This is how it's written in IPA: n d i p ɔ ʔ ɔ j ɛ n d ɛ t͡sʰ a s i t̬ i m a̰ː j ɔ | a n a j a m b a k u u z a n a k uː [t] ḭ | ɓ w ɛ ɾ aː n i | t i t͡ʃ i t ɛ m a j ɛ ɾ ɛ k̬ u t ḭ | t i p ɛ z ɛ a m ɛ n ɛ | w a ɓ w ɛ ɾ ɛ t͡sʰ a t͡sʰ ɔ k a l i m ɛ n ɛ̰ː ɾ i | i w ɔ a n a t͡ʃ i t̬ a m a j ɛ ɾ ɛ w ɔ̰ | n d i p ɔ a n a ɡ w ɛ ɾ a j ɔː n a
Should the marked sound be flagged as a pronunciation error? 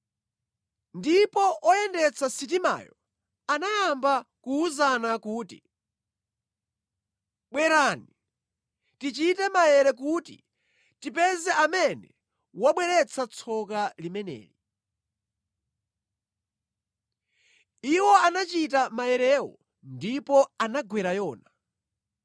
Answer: no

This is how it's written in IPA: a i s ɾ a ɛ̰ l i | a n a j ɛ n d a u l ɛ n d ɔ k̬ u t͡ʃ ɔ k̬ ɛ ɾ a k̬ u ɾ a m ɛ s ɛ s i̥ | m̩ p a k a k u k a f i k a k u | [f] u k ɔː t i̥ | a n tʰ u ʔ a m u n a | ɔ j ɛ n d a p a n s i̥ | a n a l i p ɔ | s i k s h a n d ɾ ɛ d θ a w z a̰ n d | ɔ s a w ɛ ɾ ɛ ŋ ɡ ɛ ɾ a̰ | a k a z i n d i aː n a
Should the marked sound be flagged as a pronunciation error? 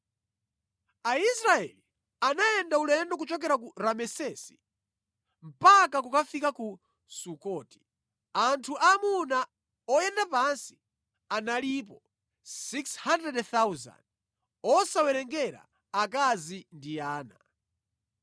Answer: yes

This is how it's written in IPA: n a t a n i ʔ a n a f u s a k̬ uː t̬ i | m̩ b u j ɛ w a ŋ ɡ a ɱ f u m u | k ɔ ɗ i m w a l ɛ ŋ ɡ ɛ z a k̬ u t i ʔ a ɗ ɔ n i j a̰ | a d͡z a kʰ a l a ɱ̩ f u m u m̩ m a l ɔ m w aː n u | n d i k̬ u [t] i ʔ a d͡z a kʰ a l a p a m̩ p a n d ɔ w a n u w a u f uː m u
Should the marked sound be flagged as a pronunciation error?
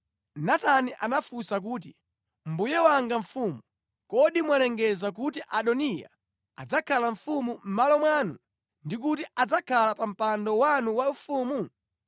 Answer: no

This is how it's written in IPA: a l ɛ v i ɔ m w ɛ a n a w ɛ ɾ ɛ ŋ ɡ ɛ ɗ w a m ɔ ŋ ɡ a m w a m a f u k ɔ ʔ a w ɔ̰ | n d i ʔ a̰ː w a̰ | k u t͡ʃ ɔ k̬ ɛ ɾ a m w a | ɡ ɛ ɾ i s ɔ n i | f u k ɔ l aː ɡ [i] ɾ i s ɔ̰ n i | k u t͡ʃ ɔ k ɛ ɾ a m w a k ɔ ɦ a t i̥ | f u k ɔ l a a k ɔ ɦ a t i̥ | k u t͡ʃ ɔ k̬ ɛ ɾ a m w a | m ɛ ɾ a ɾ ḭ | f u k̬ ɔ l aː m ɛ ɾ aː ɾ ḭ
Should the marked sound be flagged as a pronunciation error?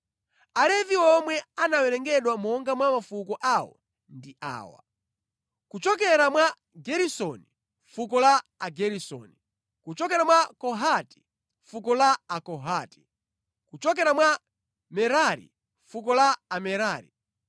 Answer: yes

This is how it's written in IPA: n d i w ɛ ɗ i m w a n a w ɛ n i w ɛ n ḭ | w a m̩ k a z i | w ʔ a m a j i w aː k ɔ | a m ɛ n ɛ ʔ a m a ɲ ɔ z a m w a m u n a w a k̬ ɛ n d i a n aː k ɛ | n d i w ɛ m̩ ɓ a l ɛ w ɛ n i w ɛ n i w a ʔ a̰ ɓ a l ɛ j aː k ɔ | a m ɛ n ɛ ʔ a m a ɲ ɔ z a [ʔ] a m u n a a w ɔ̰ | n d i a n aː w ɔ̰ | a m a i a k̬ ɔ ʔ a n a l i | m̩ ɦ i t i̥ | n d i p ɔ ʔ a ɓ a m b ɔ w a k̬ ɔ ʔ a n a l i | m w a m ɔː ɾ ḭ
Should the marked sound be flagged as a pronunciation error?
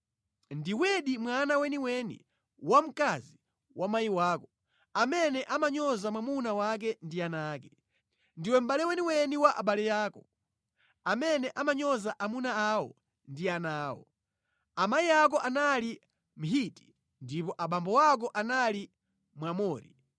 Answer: no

